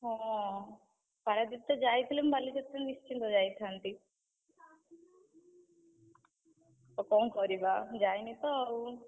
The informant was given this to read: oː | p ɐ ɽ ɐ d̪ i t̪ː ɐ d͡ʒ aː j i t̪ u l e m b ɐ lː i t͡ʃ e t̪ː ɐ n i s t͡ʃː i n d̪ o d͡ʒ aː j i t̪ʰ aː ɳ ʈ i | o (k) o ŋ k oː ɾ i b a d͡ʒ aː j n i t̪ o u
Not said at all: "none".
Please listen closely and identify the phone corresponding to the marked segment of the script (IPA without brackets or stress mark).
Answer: k